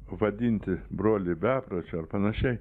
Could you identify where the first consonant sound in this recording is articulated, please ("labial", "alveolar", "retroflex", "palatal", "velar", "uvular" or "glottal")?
labial